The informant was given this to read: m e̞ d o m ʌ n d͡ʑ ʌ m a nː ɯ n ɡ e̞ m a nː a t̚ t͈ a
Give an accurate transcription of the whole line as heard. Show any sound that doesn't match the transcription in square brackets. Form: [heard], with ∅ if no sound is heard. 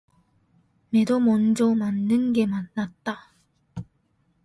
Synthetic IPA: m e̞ d o m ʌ n d͡ʑ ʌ m a nː ɯ n ɡ e̞ m a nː a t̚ t͈ a